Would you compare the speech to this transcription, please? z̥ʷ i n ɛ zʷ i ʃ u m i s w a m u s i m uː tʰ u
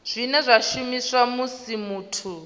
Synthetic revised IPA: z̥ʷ i n ɛ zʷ a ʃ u m i s w a m u s i m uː tʰ u